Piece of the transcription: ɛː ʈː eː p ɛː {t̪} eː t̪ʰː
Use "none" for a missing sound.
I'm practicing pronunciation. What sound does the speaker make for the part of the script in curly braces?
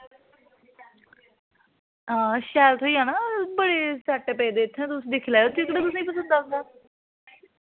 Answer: d̪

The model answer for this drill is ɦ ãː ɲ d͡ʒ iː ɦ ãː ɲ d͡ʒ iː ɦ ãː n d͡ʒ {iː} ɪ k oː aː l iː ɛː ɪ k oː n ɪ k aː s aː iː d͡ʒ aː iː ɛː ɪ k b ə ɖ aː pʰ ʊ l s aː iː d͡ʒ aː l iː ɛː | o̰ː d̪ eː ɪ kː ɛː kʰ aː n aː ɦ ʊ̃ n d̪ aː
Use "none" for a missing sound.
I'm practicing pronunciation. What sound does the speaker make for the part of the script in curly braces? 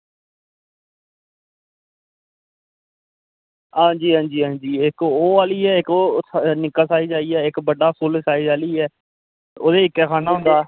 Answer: iː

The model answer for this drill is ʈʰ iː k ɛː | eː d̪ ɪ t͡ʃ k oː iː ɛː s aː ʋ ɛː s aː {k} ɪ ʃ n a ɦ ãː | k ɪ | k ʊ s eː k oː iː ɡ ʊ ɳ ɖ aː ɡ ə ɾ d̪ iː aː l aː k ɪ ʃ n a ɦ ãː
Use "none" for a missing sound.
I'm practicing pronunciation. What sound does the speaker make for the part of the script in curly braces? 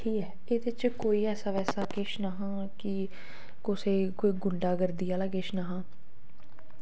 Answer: k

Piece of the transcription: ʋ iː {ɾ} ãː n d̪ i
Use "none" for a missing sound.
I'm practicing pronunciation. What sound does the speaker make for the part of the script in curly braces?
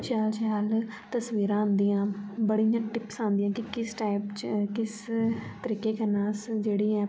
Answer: ɾ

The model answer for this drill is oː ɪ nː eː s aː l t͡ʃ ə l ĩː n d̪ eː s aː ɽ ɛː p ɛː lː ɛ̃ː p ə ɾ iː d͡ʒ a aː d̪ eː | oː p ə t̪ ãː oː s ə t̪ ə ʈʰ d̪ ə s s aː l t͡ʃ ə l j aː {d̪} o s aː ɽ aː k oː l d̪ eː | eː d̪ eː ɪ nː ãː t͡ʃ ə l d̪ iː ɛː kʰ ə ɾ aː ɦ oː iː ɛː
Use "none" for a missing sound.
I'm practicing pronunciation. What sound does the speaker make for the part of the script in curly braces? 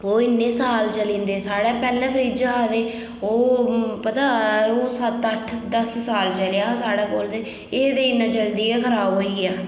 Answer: none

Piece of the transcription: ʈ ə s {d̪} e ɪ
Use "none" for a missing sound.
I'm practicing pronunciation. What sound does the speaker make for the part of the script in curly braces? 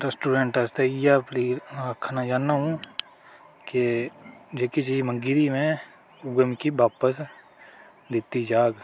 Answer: t̪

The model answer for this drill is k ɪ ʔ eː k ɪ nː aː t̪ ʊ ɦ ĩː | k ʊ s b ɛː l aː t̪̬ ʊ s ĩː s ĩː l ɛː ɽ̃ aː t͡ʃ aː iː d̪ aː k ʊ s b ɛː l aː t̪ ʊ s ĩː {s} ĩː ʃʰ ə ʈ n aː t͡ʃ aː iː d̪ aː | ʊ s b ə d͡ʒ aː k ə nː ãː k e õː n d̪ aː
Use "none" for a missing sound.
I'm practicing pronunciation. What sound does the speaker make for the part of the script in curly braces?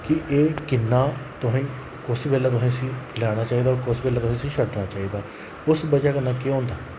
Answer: s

